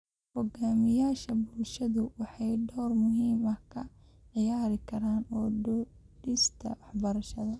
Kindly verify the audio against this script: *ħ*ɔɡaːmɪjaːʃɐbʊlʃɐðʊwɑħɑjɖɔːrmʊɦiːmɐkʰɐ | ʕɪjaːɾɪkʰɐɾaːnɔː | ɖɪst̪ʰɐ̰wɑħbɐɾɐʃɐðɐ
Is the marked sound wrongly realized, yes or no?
yes